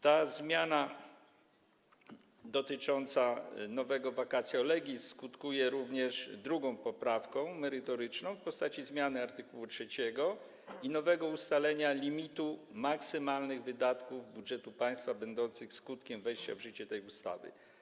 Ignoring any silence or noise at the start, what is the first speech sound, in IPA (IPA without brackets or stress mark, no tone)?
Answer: t̪